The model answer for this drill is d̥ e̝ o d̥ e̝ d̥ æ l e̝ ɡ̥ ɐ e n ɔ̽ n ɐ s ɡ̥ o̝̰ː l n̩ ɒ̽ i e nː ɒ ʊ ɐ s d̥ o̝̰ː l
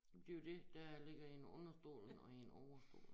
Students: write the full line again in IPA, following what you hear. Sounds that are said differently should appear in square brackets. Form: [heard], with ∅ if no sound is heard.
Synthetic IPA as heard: d̥ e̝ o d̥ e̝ d̥ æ l e̝ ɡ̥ ɐ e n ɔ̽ n ɐ s [d̥] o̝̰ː l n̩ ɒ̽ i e [n] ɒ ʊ ɐ s d̥ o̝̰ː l

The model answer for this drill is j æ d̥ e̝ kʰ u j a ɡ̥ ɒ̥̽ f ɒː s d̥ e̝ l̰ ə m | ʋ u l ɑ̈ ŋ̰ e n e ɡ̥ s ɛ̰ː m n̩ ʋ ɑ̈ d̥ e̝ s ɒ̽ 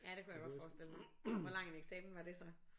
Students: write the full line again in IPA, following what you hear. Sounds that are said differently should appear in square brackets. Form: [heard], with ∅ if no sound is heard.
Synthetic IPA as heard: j æ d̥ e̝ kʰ u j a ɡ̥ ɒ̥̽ f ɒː s d̥ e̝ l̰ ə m | ʋ [ɒ] l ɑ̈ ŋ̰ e n e ɡ̥ s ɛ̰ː m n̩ ʋ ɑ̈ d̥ e̝ s ɒ̽

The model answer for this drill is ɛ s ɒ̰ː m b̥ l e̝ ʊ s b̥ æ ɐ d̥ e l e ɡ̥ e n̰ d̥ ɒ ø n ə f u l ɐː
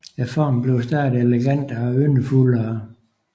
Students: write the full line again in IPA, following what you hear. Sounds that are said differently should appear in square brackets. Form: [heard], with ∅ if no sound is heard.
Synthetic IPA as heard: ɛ [f] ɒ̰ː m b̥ l e̝ ʊ s [d̥] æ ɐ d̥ e l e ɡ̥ [æ] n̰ d̥ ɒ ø n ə f u l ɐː

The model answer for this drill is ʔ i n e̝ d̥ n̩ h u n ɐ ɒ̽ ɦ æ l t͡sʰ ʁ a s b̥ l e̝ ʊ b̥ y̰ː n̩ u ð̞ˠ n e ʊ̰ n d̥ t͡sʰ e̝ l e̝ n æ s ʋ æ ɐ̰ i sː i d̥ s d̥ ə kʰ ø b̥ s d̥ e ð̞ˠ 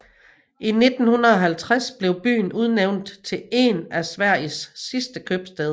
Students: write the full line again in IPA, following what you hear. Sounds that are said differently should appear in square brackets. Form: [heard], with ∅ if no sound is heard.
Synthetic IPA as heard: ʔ i n e̝ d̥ n̩ h u n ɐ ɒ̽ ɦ æ l t͡sʰ ʁ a s b̥ l e̝ ʊ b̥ y̰ː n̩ u ð̞ˠ n e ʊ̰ n d̥ t͡sʰ e̝ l e̝ n æ s ʋ æ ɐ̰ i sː i [∅] s d̥ ə kʰ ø b̥ s d̥ e ð̞ˠ

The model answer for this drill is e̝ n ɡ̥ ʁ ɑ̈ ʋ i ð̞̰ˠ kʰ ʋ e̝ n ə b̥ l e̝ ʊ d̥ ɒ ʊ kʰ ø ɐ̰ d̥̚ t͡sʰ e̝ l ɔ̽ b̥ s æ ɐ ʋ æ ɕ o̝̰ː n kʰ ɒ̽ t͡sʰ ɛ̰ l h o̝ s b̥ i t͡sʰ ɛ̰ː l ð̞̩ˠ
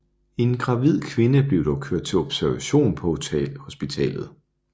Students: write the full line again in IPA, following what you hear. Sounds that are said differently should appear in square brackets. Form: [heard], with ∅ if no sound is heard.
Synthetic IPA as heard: e̝ n ɡ̥ ʁ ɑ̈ ʋ i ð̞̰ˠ kʰ ʋ e̝ n ə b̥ l e̝ ʊ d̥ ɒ ʊ kʰ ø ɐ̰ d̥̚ t͡sʰ e̝ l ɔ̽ b̥ s æ ɐ ʋ æ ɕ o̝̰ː n [pʰ] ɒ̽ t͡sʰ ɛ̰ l h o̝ s b̥ i t͡sʰ ɛ̰ː l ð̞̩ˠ

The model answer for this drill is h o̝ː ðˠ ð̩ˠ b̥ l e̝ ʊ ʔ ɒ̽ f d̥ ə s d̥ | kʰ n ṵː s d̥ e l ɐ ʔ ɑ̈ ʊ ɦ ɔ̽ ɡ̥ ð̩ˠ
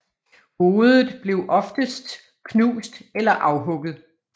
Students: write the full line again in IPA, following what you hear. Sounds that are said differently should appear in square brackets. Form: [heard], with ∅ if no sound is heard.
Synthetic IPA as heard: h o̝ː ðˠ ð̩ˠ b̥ l e̝ ʊ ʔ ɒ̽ f d̥ ə s d̥ | kʰ n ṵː s d̥ e l ɐ ʔ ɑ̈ ʊ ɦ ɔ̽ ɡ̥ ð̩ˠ

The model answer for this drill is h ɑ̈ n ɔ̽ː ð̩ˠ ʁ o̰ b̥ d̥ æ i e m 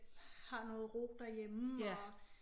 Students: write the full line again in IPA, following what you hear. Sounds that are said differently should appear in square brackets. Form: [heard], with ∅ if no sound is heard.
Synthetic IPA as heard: h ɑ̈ n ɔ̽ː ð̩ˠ ʁ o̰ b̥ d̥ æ [j] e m

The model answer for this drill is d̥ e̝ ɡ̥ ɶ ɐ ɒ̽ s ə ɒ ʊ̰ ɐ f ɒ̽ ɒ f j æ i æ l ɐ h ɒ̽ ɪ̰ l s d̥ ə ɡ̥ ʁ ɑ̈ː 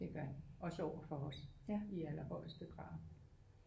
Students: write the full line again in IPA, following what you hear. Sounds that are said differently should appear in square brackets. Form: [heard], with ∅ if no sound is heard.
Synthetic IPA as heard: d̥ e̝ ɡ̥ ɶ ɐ ɒ̽ s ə ɒ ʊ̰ ɐ f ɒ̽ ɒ [s] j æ i æ l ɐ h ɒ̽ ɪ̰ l s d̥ ə ɡ̥ ʁ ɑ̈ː

